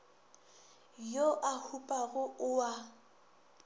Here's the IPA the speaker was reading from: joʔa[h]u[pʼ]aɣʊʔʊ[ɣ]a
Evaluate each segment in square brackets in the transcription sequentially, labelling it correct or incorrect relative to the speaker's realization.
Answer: correct, correct, incorrect: none

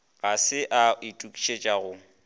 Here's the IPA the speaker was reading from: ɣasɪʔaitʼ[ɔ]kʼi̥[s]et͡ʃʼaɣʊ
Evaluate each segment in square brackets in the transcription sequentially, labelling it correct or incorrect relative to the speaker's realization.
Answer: incorrect: u, incorrect: ʃ

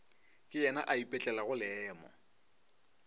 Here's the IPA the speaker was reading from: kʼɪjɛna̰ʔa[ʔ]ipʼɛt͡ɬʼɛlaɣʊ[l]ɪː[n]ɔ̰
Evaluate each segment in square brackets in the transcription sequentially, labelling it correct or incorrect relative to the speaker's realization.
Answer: incorrect: none, correct, incorrect: m

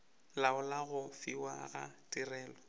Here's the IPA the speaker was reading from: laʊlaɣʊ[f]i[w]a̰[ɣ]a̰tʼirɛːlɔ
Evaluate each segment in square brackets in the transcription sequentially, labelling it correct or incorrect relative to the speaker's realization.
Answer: correct, correct, correct

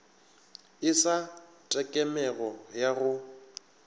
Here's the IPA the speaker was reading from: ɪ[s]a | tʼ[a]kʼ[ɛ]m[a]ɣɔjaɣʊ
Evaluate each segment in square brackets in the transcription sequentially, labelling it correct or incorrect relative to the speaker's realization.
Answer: correct, incorrect: ɛ, correct, incorrect: ɛ

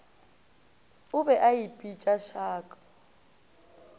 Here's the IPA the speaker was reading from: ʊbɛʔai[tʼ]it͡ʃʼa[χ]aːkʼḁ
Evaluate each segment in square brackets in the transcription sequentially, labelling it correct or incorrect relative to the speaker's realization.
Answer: incorrect: pʼ, incorrect: ʃ

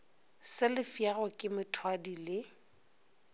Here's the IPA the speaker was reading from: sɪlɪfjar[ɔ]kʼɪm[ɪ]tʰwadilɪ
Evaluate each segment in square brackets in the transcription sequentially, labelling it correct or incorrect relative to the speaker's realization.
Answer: correct, correct

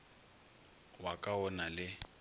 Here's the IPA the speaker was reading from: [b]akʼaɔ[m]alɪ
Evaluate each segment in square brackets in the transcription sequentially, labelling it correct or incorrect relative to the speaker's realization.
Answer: incorrect: w, incorrect: n

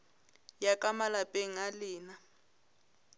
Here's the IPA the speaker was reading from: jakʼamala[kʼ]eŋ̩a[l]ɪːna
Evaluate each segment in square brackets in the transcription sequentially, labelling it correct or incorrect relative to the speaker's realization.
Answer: incorrect: pʼ, correct

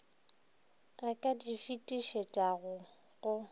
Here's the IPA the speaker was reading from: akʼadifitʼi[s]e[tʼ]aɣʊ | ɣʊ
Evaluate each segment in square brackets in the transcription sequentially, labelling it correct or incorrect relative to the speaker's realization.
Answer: incorrect: ʃ, correct

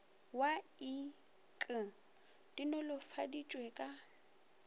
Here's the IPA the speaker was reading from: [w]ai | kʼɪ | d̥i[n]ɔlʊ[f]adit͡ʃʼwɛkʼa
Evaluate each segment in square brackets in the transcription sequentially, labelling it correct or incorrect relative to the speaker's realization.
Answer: correct, correct, correct

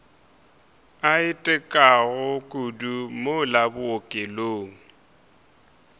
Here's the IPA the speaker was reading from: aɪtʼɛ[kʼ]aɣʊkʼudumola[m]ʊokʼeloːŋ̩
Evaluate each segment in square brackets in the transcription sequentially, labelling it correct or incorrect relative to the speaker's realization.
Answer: correct, incorrect: b

